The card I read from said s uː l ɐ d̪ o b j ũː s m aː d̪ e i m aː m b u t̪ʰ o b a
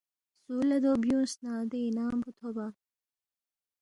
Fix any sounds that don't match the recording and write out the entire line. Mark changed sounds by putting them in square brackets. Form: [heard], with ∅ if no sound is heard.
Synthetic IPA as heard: s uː l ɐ d̪ o b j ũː s [n] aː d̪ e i [n] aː m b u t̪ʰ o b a